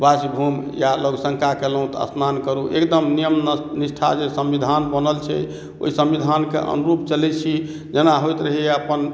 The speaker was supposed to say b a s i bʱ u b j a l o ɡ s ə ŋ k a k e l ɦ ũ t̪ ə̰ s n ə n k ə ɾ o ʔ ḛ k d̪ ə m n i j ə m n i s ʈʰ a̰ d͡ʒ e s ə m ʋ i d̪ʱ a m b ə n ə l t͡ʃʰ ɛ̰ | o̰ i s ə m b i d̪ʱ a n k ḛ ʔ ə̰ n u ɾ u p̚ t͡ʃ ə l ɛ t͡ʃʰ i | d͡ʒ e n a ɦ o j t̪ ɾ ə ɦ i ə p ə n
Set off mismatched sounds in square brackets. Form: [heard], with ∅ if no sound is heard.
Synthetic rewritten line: b a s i bʱ u [m] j a l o ɡ s ə ŋ k a k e l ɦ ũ t̪ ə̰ s n [a] n k ə ɾ [u] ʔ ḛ k d̪ ə m n i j ə m n i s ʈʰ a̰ d͡ʒ e s ə m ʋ i d̪ʱ a [n] b ə n ə l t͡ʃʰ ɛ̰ | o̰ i s ə m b i d̪ʱ a n k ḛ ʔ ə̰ n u ɾ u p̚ t͡ʃ ə l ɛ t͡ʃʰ i | d͡ʒ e n a ɦ o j t̪ ɾ ə ɦ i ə p ə n